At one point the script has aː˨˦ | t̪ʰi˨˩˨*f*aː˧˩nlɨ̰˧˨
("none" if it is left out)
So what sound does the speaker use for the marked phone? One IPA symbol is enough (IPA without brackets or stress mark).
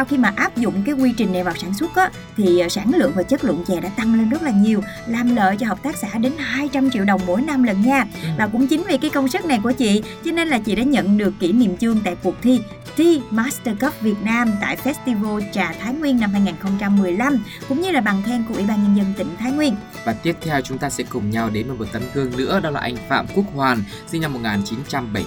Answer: s